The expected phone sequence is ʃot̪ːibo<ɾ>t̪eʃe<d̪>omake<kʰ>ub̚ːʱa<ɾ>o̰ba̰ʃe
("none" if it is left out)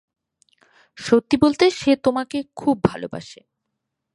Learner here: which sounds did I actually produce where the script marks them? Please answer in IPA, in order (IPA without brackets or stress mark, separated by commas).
l, t̪, kʰ, l